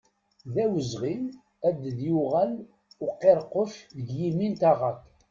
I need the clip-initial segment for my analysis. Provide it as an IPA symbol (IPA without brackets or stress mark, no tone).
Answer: ð